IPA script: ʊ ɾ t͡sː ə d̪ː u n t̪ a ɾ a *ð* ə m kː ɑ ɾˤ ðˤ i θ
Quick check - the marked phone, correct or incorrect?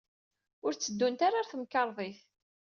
incorrect